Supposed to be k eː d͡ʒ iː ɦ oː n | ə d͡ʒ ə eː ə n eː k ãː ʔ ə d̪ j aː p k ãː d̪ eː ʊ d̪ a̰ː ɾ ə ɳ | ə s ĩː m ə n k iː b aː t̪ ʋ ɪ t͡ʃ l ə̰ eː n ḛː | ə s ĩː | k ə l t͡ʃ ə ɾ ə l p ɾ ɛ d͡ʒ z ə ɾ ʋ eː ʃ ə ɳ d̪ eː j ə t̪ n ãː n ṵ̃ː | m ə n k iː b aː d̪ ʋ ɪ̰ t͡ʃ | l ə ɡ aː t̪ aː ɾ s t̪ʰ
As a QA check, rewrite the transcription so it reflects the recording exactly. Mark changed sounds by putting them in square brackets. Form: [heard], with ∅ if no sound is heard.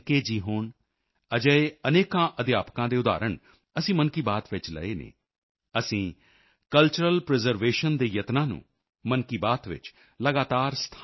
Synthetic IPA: k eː d͡ʒ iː ɦ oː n | ə d͡ʒ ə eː ə n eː k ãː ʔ ə d̪ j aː p k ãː d̪ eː ʊ d̪ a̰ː ɾ ə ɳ | ə s ĩː m ə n k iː b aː t̪ ʋ ɪ t͡ʃ l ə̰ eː n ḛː | ə s ĩː | k ə l t͡ʃ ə ɾ ə l p ɾ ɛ [∅] z ə ɾ ʋ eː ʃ ə [n] d̪ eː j ə t̪ n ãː n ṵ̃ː | m ə n k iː b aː [t̪] ʋ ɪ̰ t͡ʃ | l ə ɡ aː t̪ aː ɾ s t̪ʰ

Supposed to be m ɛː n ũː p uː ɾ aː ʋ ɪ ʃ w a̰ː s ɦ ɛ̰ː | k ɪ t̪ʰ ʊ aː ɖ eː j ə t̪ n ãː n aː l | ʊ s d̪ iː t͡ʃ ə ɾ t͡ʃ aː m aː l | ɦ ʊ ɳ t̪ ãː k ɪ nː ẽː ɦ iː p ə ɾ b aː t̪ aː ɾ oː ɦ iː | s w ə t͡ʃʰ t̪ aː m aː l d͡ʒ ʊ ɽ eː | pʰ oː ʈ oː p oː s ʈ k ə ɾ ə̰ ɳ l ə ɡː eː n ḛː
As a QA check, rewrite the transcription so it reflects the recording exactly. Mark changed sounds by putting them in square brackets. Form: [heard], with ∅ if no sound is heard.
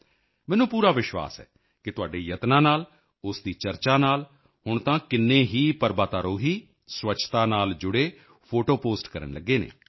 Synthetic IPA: m ɛː n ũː p uː ɾ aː ʋ ɪ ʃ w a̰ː s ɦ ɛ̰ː | k ɪ [t̪] ʊ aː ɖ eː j ə t̪ n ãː n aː l | ʊ s d̪ iː t͡ʃ ə ɾ t͡ʃ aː [n] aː l | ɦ ʊ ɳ t̪ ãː k ɪ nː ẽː ɦ iː p ə ɾ b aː t̪ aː ɾ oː ɦ iː | s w ə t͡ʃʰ t̪ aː [n] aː l d͡ʒ ʊ ɽ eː | pʰ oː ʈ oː p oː s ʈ k ə ɾ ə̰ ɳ l ə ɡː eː n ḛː

